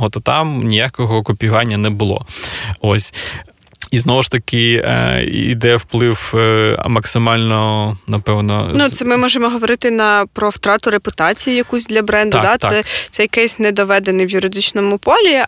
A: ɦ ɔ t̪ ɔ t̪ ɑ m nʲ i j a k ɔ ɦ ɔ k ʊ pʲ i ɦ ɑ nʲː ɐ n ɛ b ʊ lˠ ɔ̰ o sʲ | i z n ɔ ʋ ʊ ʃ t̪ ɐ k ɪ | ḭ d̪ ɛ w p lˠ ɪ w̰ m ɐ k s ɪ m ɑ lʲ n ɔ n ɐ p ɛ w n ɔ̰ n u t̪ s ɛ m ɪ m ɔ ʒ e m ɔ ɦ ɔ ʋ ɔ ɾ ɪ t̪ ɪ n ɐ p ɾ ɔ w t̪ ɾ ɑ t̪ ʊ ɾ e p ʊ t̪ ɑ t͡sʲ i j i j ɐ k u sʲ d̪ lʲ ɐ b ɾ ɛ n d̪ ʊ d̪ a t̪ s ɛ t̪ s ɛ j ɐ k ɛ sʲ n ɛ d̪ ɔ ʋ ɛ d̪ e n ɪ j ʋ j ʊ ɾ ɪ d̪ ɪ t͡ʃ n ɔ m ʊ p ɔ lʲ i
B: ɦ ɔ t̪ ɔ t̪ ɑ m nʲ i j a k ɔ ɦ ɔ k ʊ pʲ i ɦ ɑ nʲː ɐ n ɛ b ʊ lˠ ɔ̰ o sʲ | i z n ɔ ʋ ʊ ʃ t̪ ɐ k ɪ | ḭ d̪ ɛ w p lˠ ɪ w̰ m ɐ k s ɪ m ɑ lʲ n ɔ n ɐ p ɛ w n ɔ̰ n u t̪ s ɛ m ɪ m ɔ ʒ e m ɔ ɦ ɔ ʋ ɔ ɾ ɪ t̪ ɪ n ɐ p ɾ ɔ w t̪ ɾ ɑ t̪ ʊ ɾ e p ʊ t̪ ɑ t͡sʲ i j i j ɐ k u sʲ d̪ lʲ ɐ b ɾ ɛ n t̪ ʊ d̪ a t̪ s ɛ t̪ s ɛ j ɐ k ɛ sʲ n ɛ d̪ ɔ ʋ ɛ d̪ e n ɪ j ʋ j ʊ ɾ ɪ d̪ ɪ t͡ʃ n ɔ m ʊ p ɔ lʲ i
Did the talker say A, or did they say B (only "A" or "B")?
A